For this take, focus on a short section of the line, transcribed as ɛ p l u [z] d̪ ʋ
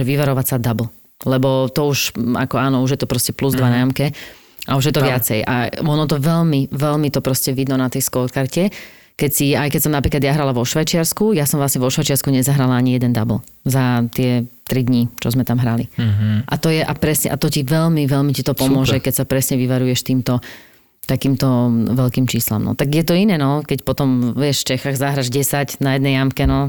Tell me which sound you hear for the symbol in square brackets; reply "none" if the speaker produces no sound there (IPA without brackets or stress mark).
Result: z